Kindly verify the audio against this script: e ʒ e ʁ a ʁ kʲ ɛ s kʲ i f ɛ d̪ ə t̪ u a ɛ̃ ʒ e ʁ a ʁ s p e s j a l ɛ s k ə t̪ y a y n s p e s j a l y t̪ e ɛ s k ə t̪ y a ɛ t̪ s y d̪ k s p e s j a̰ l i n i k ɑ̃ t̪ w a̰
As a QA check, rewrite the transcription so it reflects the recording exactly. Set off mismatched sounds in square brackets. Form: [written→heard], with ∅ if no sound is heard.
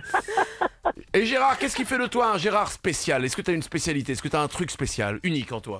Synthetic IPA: e ʒ e ʁ a ʁ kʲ ɛ s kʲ i f ɛ d̪ ə t̪ [u→w] a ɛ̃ ʒ e ʁ a ʁ s p e s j a l ɛ s k ə t̪ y a y n s p e s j a l [y→i] t̪ e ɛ s k ə t̪ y a [ɛ→ɛ̃] t̪ [s→χ] y [d̪→∅] k s p e s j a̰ l [i→y] n i k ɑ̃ t̪ w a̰